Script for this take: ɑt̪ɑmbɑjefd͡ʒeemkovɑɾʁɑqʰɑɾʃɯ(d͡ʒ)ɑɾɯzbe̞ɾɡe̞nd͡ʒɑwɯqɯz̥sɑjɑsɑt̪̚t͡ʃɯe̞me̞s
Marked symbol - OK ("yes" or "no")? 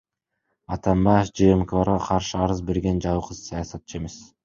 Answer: no